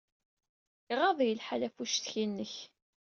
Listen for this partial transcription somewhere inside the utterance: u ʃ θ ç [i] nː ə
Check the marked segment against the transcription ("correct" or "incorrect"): correct